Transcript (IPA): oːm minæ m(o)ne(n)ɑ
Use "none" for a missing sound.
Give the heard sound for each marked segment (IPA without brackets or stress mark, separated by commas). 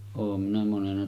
o, n